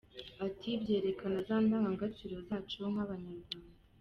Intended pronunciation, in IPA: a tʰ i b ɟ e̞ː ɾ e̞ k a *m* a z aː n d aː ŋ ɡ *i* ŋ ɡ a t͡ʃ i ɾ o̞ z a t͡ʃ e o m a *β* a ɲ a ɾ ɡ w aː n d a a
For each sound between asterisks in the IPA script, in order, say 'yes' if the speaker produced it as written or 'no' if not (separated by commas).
no, no, yes